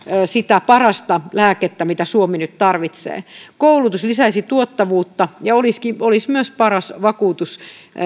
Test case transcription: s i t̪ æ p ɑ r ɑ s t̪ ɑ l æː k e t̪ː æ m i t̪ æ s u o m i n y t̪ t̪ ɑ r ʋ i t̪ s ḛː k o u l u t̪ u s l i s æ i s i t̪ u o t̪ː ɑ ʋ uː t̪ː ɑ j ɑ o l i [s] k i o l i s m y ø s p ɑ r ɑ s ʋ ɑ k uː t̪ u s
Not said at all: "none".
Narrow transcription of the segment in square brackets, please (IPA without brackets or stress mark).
s